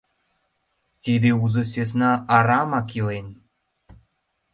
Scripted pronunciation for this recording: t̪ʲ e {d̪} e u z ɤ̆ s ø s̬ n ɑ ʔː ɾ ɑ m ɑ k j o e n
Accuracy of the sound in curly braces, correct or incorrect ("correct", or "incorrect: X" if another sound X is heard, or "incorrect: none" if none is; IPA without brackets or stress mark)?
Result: correct